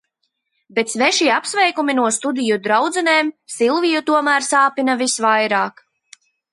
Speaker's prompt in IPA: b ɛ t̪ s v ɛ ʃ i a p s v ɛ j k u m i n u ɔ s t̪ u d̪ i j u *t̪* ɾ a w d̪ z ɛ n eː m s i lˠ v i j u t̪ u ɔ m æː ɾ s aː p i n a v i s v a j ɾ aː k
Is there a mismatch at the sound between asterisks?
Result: yes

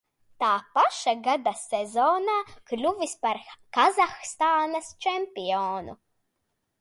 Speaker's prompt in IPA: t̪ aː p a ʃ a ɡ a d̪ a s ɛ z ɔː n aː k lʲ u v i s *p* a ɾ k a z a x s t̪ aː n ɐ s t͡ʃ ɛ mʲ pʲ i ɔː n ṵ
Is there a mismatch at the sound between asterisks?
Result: no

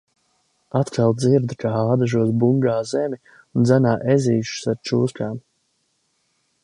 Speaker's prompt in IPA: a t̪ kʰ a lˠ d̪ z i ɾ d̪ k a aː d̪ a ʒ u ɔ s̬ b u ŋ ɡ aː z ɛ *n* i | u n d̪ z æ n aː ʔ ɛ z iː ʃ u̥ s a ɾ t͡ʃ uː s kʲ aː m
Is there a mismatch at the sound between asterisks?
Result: yes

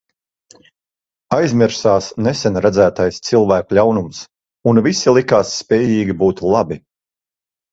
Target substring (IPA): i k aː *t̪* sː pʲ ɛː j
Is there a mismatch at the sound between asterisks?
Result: yes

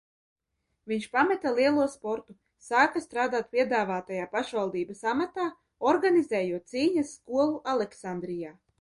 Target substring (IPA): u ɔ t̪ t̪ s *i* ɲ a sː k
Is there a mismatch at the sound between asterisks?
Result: yes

